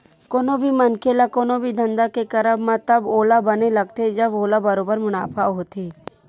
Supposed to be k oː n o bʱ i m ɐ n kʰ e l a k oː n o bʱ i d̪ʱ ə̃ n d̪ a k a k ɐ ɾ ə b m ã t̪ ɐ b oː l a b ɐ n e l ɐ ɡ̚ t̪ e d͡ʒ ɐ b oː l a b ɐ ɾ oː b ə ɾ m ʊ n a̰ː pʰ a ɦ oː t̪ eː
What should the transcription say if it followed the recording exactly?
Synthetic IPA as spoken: k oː n o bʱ i m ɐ n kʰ e l a k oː n o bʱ i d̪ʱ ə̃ n d̪ a k e k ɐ ɾ ə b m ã t̪ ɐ b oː l a b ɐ n e l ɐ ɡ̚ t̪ e d͡ʒ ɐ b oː l a b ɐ ɾ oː b ə ɾ m ʊ n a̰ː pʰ a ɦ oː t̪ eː